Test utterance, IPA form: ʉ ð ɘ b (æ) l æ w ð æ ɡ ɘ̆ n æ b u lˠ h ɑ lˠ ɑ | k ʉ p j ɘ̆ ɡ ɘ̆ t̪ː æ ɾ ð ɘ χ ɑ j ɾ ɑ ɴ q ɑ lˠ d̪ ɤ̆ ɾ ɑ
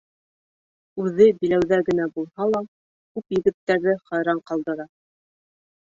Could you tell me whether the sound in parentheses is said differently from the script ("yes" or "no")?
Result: yes